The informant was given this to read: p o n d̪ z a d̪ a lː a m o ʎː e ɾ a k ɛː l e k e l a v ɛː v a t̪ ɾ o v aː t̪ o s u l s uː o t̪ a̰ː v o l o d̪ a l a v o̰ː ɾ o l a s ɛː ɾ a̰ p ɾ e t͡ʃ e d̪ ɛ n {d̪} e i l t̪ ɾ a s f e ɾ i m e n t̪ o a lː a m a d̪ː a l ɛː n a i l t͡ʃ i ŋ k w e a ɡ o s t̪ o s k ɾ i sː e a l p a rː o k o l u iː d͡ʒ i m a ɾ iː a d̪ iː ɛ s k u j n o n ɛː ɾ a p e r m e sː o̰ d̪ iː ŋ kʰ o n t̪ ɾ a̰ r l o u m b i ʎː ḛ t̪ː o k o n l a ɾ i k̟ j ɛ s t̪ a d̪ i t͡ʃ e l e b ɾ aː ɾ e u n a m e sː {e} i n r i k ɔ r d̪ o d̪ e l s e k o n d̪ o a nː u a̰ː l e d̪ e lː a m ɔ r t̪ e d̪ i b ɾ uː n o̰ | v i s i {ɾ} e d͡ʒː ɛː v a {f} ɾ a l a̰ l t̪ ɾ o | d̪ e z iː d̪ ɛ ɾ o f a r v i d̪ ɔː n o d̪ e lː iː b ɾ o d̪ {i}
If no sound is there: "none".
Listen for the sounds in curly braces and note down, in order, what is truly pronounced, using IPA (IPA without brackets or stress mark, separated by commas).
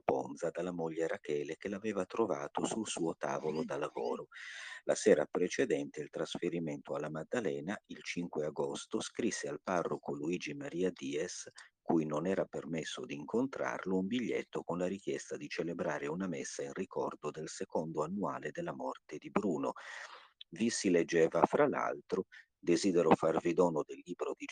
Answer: t̪, a, l, f, i